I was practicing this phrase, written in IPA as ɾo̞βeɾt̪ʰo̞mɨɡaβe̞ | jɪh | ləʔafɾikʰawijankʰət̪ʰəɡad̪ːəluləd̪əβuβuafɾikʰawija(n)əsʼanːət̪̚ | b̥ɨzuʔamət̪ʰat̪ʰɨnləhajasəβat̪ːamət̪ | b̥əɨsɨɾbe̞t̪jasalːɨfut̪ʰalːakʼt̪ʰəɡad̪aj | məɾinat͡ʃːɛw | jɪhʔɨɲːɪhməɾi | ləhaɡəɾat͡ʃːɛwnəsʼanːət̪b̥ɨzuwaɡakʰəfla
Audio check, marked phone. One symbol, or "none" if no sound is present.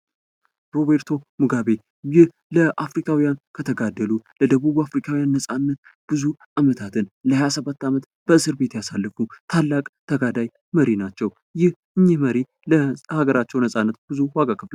nː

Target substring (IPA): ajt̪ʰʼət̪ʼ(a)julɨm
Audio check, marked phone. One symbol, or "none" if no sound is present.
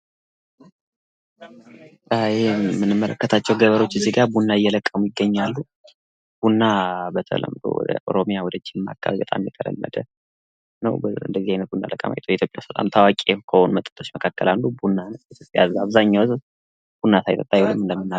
a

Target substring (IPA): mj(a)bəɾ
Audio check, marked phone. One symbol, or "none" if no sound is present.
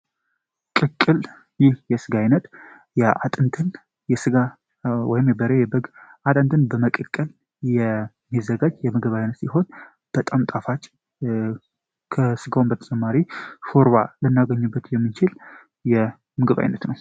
ɛ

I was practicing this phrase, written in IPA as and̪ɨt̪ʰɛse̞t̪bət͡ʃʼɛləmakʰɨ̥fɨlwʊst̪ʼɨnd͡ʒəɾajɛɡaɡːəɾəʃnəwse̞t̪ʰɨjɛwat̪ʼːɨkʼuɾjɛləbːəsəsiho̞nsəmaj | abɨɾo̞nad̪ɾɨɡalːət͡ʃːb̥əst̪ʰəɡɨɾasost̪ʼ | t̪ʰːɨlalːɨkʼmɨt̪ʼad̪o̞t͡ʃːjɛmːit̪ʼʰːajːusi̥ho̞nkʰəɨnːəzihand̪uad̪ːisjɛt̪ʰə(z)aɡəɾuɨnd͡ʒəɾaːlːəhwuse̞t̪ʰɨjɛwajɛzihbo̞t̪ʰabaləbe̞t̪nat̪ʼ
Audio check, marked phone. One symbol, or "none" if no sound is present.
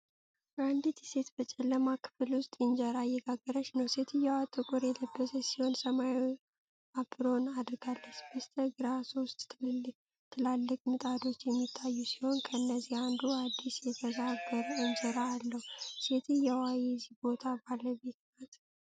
z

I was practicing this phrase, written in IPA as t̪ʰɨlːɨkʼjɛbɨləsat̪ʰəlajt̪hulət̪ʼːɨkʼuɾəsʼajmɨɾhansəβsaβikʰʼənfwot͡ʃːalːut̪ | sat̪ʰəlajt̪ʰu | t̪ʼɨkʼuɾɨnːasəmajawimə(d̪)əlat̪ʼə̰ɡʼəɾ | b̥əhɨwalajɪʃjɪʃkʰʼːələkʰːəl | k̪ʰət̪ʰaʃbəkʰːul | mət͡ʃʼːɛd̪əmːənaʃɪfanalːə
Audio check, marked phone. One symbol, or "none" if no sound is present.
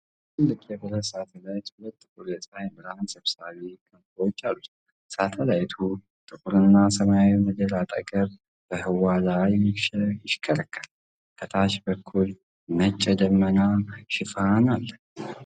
d̪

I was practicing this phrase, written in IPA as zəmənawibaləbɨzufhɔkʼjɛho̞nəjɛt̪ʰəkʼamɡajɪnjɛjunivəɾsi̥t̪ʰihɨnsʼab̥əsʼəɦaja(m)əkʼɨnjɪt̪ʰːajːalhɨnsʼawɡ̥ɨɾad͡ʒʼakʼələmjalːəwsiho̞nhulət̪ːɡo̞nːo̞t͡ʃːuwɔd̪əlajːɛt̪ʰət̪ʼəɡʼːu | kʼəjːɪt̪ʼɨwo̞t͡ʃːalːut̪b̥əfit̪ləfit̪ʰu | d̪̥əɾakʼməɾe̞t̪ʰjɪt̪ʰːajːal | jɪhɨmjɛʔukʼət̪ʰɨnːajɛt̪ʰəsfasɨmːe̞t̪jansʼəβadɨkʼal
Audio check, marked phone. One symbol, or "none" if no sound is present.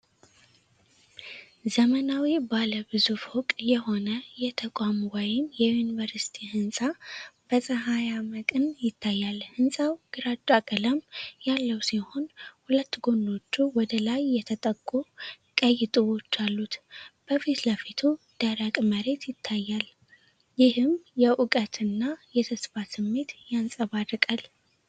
m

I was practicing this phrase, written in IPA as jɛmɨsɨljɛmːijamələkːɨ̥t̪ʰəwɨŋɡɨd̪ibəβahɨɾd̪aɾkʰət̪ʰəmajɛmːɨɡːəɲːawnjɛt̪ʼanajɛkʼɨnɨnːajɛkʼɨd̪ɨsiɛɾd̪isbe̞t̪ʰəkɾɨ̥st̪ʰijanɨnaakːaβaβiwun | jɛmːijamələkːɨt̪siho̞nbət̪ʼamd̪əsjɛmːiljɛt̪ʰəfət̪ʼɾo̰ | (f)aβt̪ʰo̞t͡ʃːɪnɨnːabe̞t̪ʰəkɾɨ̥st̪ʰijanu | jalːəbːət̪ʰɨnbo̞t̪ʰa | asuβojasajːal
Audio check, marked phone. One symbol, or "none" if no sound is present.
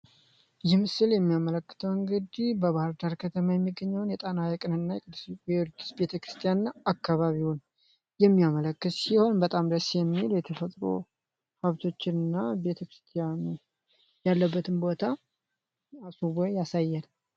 h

